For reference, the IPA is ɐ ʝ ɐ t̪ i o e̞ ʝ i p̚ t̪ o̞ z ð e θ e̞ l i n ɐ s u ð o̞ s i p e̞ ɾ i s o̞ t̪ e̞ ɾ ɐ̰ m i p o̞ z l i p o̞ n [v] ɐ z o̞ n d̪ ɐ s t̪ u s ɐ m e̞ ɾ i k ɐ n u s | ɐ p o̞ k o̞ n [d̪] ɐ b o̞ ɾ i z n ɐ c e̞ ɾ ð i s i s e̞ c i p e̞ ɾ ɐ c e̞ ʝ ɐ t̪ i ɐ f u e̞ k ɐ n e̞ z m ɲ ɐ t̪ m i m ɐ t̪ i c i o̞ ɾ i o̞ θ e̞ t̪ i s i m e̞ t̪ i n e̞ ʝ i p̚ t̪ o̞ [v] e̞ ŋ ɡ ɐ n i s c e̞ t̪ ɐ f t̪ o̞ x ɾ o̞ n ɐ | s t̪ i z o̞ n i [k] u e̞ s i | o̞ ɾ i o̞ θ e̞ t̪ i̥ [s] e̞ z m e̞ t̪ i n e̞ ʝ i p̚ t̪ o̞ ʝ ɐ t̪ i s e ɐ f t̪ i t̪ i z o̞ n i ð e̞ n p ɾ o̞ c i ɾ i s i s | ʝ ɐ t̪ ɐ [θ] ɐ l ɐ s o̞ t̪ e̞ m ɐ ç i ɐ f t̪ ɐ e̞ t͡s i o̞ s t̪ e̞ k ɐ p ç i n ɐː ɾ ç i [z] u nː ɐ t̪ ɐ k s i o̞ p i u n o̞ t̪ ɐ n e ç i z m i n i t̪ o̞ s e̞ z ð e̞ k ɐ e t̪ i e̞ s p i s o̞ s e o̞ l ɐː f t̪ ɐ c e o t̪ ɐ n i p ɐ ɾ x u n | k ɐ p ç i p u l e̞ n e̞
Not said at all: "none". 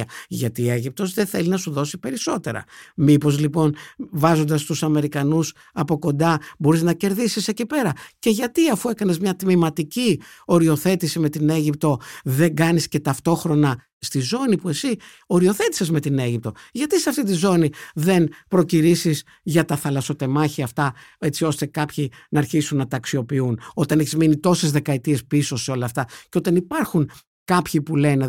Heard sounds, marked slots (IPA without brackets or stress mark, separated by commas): v, d̪, ð, p, s, θ, s